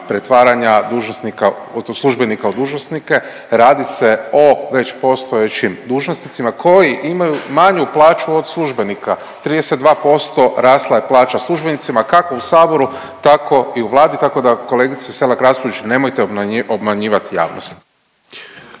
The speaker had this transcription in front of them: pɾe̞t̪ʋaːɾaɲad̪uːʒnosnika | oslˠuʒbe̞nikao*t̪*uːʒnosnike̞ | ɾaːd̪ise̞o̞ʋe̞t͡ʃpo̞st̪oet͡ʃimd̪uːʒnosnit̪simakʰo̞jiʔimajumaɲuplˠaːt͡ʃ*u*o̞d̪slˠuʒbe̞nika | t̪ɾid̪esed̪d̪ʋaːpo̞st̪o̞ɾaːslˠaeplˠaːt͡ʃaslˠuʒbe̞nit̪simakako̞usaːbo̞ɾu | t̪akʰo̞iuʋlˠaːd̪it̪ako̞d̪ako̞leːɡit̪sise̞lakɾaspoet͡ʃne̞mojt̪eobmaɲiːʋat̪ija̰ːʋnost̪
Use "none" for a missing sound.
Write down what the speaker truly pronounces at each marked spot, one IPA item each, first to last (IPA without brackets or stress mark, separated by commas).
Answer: d̪, u